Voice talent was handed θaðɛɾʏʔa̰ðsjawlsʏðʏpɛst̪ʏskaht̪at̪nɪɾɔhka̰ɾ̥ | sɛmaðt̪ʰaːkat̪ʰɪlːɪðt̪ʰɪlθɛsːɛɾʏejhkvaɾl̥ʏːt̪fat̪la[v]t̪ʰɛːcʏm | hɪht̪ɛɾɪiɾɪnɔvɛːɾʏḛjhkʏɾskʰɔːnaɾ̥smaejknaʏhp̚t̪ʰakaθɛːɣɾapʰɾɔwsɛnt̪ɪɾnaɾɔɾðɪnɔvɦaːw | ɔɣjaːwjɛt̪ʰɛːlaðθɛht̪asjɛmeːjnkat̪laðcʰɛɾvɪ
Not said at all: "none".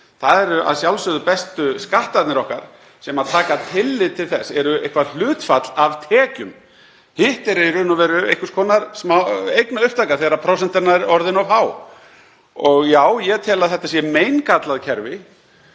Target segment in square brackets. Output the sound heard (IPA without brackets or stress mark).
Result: v